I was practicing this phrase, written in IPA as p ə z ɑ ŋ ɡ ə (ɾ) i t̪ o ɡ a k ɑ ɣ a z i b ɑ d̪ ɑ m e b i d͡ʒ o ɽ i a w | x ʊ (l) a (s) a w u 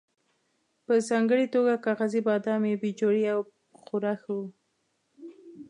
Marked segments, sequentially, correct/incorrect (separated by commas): incorrect, incorrect, incorrect